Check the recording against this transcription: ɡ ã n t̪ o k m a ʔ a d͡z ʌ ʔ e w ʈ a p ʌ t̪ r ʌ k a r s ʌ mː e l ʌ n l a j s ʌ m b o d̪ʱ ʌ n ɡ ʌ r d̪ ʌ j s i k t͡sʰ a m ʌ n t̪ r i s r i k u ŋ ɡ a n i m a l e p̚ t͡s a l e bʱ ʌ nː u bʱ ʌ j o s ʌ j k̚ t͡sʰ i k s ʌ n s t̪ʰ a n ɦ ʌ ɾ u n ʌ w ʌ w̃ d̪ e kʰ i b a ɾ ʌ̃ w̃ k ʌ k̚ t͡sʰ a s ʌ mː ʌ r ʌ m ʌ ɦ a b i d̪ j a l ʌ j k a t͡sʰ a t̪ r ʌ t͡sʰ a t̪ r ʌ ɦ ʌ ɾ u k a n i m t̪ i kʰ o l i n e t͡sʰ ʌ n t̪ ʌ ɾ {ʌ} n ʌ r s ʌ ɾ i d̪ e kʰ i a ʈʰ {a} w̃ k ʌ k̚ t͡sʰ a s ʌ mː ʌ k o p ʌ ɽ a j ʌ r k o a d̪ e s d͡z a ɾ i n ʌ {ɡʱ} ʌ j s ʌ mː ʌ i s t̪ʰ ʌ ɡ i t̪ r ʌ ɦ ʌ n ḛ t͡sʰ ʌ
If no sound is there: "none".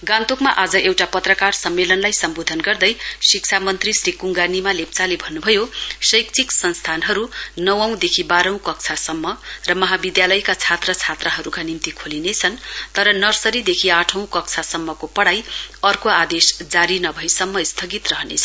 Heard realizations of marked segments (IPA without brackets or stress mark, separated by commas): ʌ, ʌ, bʱ